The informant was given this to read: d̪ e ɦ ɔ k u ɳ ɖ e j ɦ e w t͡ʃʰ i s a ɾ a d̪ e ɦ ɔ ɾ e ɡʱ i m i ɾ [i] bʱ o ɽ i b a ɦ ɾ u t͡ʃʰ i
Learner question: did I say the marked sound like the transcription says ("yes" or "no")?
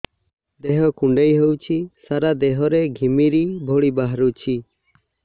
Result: yes